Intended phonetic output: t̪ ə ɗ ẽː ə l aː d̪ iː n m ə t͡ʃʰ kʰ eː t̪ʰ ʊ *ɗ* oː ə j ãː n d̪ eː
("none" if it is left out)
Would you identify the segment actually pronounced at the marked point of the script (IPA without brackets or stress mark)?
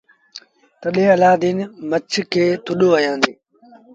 ɗ